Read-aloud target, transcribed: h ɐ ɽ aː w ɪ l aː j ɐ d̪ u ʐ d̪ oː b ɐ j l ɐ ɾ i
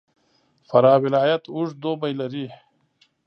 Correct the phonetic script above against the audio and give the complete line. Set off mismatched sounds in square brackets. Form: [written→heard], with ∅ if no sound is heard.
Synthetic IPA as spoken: [h→f] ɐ [ɽ→ɾ] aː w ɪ l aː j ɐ [d̪→t̪] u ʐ d̪ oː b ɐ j l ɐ ɾ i